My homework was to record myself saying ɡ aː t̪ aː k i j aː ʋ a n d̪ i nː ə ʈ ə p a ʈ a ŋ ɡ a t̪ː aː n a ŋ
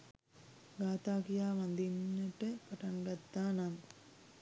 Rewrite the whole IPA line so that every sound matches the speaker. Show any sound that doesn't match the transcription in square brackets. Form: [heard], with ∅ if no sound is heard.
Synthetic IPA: ɡ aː t̪ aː k i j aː ʋ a n d̪ i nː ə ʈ ə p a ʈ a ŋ ɡ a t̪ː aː n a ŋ